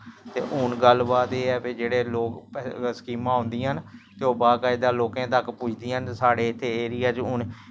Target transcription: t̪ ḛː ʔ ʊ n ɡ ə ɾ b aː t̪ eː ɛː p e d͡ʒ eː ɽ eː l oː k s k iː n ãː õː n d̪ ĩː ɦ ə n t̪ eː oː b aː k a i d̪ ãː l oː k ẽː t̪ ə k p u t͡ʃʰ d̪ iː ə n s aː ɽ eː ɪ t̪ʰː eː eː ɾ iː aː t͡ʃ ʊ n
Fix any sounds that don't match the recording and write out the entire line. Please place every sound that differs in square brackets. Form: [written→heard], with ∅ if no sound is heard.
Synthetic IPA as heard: t̪ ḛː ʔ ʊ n ɡ ə [ɾ→l] b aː t̪ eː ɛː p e d͡ʒ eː ɽ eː l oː k s k iː [n→m] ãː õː n d̪ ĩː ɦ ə n t̪ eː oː b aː k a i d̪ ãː l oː k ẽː t̪ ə k p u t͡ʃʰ d̪ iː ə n s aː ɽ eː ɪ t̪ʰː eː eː ɾ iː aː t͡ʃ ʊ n